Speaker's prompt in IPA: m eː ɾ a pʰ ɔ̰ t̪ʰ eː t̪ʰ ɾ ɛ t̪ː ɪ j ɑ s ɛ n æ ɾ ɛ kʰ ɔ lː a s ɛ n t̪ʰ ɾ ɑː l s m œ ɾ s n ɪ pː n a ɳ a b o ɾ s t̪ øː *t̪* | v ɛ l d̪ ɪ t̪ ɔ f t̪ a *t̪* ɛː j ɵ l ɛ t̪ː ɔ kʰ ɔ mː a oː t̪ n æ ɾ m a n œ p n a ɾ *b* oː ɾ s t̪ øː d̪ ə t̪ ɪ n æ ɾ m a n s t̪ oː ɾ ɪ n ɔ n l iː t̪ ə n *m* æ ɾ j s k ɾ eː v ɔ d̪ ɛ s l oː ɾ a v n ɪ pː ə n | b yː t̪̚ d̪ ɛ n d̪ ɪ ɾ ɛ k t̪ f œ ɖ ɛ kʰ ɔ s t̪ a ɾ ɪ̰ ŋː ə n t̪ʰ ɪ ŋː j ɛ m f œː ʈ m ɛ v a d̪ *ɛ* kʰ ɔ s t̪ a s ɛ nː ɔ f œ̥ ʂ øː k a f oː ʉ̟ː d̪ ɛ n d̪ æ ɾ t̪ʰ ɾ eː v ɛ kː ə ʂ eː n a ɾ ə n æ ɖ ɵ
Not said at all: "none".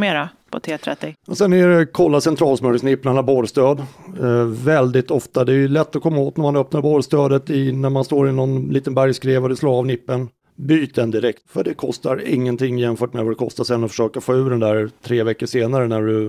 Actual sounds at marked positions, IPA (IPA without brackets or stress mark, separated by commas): d̪, d̪, b, b, ɛ